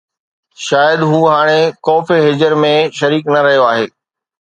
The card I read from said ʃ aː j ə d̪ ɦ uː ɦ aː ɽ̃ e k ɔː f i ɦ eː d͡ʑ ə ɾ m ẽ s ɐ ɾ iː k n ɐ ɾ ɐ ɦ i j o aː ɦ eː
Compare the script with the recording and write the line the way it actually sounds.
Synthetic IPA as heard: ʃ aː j ə d̪ ɦ uː ɦ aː ɽ̃ e k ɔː f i ɦ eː d͡ʑ ə ɾ m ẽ ʃ ɐ ɾ iː k n ɐ ɾ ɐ ɦ i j o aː ɦ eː